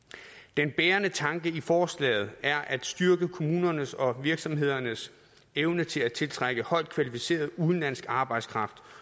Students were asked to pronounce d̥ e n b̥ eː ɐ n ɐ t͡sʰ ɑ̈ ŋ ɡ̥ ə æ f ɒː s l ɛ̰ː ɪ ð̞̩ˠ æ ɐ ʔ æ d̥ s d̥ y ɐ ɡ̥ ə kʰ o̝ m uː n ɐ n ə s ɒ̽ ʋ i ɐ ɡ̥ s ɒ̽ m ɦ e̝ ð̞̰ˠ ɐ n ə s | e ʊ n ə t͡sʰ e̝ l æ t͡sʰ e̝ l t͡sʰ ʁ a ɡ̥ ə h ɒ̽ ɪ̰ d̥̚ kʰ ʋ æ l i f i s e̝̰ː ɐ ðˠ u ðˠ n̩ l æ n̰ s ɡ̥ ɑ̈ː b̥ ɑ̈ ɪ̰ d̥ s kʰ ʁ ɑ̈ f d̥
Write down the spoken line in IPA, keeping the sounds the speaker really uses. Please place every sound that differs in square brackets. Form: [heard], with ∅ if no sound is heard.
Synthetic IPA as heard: d̥ e n b̥ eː ɐ n [ə] t͡sʰ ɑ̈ ŋ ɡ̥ ə [i] f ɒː s l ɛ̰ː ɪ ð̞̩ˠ æ ɐ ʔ æ d̥ s d̥ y ɐ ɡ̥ ə kʰ o̝ m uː n ɐ n ə s ɒ̽ ʋ i ɐ ɡ̥ s ɒ̽ m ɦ e̝ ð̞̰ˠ ɐ n ə s | e ʊ n ə t͡sʰ e̝ l æ t͡sʰ e̝ l t͡sʰ ʁ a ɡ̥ ə h ɒ̽ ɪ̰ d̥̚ kʰ ʋ æ l i f i s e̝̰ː ɐ ðˠ u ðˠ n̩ l æ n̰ s ɡ̥ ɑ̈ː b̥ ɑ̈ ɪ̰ d̥ s kʰ ʁ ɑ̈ f d̥